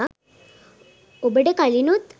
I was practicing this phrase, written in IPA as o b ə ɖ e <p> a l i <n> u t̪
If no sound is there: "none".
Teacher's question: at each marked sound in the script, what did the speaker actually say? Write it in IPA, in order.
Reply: k, n

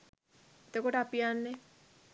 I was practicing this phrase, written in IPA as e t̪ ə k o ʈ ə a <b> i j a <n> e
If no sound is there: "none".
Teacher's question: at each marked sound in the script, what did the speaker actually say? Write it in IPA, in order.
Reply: p, nː

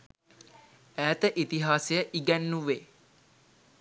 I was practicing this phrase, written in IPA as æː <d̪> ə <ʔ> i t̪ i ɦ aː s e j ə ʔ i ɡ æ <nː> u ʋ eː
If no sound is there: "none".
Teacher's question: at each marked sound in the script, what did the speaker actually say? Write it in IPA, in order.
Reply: t̪, ʔ, nː

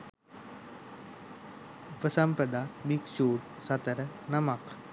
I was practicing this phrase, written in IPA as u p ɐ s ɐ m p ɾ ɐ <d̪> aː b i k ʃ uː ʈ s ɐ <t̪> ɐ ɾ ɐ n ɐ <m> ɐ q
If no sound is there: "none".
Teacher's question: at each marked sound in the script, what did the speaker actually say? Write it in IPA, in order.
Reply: d̪, t̪, m

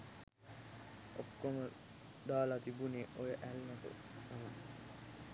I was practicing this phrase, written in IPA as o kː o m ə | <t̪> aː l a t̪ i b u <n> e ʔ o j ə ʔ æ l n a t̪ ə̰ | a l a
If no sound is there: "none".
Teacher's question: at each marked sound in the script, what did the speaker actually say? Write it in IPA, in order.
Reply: d̪, n

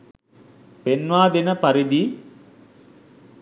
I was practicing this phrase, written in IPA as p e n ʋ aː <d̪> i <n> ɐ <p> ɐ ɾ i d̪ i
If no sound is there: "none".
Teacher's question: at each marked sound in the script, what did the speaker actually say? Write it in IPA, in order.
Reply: d̪, n, p

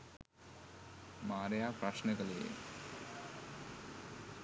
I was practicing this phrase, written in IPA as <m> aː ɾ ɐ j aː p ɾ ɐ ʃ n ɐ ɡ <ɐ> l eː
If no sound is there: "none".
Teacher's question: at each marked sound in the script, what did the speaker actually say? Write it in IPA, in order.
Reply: m, ɐ

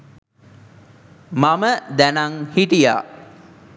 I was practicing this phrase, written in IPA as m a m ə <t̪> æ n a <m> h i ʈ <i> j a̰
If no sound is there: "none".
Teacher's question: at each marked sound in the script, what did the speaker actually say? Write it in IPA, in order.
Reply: d̪, ŋ, i

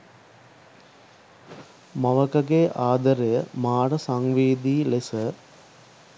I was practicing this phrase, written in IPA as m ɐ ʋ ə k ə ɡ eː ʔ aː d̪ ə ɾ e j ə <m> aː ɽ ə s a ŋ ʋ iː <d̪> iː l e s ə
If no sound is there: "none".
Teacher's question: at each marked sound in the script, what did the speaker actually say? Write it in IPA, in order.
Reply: m, d̪

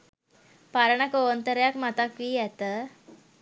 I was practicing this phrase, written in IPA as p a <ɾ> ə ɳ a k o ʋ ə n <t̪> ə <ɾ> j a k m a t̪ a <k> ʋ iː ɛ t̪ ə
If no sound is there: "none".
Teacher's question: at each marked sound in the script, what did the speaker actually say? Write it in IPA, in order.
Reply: ɾ, t̪, ɾ, k

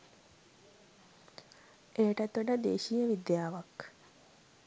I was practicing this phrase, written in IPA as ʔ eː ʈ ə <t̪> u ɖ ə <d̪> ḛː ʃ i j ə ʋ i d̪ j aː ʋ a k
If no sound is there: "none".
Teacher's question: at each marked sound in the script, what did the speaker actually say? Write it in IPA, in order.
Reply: t̪, d̪

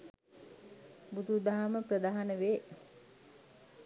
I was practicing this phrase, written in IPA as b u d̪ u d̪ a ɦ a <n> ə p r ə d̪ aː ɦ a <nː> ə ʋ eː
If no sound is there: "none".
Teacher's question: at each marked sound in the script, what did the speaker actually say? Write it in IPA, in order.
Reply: m, n

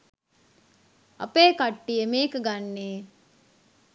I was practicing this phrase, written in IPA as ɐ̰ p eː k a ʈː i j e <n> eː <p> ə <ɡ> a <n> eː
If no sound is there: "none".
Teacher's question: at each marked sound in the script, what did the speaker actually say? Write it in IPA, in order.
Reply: m, k, ɡ, nː

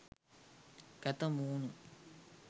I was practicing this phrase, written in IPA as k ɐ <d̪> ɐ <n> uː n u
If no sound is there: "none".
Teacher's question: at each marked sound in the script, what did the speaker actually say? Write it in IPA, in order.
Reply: t̪, m

